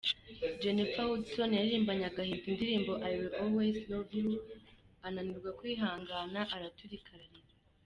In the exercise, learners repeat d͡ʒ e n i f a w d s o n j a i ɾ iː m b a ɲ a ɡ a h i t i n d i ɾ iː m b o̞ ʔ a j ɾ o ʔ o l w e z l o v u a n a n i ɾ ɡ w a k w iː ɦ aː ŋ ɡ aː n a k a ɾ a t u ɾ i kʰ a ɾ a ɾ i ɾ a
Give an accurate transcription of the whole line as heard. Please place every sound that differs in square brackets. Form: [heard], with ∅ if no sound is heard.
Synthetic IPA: d͡ʒ e n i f a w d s o n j a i ɾ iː m b a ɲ a ɡ a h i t i n d i ɾ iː m b o̞ ʔ a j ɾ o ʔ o l w e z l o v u a n a n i ɾ ɡ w a k w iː ɦ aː ŋ ɡ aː n a [ʔ] a ɾ a t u ɾ i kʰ a ɾ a ɾ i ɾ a